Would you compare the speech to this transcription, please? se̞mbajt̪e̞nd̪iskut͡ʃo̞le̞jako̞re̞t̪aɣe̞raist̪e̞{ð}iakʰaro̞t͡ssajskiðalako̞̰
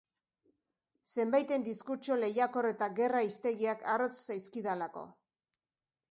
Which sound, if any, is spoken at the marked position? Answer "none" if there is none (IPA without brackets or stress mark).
ɣ